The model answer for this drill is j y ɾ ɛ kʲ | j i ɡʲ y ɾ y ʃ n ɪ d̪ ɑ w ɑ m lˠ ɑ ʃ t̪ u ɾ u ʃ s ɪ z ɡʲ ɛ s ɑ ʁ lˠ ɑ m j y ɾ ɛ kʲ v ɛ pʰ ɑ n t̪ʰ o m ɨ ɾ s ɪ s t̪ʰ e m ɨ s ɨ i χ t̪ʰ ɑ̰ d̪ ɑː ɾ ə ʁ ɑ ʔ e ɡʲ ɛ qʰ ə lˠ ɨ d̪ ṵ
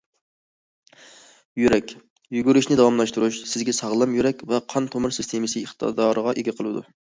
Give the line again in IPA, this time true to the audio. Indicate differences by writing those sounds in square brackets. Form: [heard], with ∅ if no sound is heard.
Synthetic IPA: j y ɾ ɛ kʲ | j [y] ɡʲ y ɾ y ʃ n ɪ d̪ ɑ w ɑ m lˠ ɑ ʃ t̪ u ɾ u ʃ s ɪ z ɡʲ ɛ s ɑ ʁ lˠ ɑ m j y ɾ ɛ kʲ v ɛ [qʰ] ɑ n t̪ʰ o m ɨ ɾ s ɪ s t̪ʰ e m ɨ s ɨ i χ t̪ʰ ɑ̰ d̪ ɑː ɾ ə ʁ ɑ ʔ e ɡʲ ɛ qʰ ə lˠ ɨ d̪ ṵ